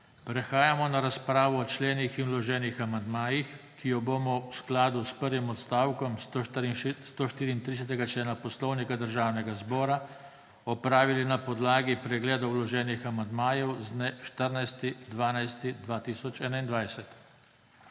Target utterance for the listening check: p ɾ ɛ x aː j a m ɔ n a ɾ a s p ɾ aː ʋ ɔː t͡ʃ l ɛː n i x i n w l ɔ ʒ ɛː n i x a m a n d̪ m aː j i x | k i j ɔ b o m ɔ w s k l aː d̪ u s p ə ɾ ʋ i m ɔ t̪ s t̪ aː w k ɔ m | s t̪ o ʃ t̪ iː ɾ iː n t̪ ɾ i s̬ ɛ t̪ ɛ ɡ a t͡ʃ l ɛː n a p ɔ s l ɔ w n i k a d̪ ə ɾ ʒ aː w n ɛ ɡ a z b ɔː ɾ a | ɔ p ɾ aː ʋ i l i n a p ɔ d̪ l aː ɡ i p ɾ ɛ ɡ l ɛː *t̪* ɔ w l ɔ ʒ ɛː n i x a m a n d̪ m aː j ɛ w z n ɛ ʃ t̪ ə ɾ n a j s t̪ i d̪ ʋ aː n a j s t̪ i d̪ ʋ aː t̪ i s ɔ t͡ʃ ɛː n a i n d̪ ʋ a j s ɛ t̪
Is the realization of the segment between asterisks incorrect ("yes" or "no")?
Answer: yes